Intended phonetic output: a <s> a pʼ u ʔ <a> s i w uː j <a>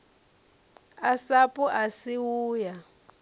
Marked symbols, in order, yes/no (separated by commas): yes, yes, yes